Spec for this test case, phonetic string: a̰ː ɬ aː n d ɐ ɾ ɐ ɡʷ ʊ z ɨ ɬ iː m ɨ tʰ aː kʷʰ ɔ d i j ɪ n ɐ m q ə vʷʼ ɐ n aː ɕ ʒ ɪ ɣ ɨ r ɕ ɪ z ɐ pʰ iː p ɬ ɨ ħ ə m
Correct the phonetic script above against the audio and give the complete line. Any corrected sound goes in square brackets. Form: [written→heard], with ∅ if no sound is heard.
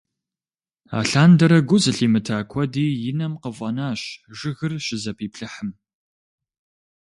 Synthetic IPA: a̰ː ɬ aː n d ɐ ɾ ɐ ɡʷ ʊ z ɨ ɬ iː m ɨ tʰ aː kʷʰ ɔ d [i→iː] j ɪ n ɐ m q ə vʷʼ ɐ n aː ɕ ʒ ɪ ɣ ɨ r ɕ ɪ z ɐ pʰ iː p ɬ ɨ ħ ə m